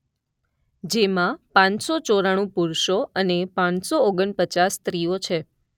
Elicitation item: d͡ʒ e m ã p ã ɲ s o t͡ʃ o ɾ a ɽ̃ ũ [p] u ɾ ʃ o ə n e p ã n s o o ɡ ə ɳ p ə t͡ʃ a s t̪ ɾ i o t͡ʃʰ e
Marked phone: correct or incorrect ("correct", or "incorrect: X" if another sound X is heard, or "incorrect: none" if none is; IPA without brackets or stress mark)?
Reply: correct